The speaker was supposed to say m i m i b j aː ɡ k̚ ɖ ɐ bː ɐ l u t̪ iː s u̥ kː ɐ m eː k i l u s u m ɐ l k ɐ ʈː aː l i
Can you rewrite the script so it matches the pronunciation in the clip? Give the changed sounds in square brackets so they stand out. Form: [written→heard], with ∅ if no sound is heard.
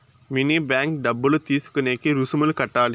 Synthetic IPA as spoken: m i [m→n] i b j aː [ɡ→ŋ] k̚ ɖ ɐ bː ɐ l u t̪ iː s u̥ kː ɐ [m→n] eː k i [l→ɾ] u s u m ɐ l k ɐ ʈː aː l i